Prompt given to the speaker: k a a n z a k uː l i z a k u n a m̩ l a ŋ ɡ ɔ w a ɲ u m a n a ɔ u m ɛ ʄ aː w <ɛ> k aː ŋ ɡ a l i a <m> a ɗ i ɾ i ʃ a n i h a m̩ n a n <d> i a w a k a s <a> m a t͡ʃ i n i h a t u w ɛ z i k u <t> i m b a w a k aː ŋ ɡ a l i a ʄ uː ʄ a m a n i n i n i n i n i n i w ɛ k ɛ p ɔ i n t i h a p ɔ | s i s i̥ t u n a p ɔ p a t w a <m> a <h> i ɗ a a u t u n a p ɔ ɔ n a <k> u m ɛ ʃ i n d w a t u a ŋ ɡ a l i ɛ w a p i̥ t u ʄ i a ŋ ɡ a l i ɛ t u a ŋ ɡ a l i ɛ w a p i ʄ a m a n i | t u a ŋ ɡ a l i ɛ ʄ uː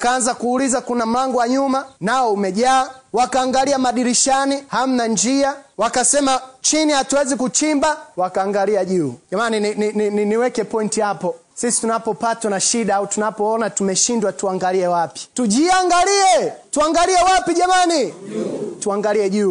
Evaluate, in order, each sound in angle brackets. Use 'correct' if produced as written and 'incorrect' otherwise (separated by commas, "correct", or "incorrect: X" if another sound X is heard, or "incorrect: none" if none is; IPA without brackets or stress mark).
incorrect: a, correct, incorrect: d͡ʒ, incorrect: ɛ, incorrect: t͡ʃ, incorrect: n, incorrect: ʃ, incorrect: t